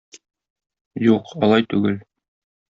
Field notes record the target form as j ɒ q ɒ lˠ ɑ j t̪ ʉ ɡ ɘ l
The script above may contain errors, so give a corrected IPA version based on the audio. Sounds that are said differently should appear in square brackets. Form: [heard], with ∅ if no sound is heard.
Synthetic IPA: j [u] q ɒ lˠ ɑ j t̪ ʉ ɡ ɘ l